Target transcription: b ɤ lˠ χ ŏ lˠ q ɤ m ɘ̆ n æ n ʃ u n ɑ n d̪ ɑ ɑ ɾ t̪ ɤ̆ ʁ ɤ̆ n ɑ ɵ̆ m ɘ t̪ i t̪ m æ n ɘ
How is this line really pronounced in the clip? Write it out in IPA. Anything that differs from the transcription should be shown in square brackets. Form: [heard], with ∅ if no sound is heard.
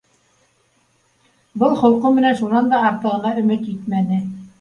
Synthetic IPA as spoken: b ɤ lˠ χ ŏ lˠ q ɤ m ɘ̆ n æ n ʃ u n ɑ n d̪ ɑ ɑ ɾ t̪ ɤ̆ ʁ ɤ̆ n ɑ ɵ̆ m ɘ t̪ i t̪ m æ n ɘ